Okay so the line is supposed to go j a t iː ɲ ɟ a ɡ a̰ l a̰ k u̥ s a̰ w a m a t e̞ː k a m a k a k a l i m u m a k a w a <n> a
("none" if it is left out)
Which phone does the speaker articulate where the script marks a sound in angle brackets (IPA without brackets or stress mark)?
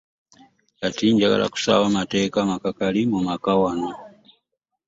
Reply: n